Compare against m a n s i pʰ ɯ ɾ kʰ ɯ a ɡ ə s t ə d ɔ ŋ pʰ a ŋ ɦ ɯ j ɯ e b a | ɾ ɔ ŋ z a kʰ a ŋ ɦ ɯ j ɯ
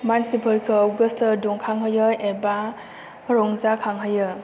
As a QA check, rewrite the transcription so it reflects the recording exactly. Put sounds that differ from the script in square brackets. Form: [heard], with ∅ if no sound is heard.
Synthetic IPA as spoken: m a n s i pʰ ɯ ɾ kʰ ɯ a ɡ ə s t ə d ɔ ŋ [kʰ] a ŋ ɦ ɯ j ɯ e b a | ɾ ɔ ŋ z a kʰ a ŋ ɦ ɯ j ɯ